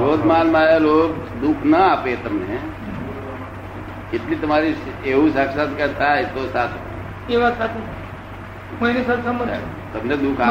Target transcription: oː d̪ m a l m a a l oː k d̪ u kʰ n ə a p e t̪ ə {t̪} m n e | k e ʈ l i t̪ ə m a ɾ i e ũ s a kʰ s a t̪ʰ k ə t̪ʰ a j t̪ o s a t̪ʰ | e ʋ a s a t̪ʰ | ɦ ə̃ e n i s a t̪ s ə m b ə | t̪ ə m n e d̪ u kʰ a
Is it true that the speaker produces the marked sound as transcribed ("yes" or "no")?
no